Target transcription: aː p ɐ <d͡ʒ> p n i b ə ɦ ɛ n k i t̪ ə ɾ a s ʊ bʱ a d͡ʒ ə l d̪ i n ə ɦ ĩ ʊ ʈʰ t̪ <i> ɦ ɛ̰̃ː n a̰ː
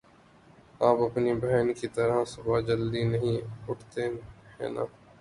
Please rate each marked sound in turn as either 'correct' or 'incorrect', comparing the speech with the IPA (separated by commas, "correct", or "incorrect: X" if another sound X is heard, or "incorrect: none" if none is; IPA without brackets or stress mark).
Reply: incorrect: none, incorrect: e